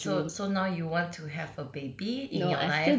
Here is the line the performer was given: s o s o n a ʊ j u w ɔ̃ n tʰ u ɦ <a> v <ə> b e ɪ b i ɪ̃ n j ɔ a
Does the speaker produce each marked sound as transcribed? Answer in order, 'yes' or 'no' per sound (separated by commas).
no, yes